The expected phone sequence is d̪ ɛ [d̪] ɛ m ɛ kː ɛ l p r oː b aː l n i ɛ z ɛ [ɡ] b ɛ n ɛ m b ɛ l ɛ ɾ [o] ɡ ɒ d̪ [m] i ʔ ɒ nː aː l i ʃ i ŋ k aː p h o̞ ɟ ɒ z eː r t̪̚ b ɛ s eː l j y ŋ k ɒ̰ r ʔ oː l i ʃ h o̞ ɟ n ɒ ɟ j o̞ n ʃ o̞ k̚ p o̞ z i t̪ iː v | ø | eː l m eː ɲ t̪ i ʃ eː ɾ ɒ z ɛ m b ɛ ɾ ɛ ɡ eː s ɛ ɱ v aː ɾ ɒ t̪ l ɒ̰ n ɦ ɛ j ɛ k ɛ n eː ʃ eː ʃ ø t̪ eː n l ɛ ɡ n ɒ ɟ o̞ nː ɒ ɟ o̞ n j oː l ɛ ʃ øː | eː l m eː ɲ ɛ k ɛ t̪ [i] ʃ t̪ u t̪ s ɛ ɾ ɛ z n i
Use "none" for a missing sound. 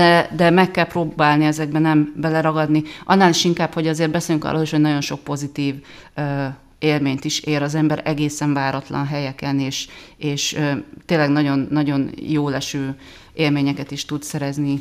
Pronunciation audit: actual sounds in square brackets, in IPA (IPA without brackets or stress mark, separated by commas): d̪, ɡ, ɒ, n, i